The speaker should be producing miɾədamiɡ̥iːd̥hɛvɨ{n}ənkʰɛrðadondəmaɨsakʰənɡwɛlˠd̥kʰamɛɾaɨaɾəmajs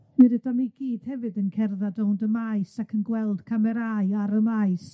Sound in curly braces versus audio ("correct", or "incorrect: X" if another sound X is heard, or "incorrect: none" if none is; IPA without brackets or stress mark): incorrect: d